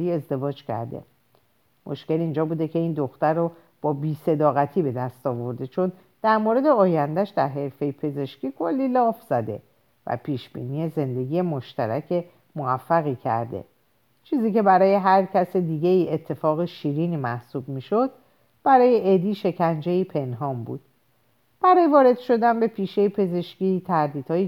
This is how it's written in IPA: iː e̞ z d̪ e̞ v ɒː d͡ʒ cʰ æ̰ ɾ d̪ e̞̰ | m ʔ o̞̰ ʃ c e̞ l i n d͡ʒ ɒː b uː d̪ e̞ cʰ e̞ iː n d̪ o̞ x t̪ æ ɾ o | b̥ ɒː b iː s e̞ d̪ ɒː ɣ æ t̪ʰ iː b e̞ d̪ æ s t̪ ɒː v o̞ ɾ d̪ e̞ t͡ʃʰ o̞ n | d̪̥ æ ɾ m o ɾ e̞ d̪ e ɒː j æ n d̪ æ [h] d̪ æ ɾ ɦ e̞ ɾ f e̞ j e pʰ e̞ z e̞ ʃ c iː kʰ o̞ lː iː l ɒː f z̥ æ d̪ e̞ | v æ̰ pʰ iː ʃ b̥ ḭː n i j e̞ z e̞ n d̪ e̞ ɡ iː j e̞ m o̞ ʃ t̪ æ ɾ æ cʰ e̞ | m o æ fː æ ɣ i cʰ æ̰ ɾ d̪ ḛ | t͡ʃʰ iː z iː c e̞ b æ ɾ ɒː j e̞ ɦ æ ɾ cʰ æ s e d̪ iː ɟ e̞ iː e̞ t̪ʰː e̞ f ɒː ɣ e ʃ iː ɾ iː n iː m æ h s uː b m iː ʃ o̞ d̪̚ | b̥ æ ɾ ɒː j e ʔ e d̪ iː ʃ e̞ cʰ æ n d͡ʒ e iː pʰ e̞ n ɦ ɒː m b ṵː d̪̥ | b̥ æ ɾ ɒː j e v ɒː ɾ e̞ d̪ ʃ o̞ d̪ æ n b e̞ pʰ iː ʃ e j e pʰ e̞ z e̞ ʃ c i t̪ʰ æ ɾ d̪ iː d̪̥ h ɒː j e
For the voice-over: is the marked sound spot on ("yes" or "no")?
no